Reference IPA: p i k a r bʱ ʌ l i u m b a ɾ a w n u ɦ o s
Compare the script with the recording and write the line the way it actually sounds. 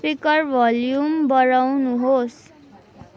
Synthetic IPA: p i k ʌ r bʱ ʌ l j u m b ʌ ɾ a w n u ɦ o s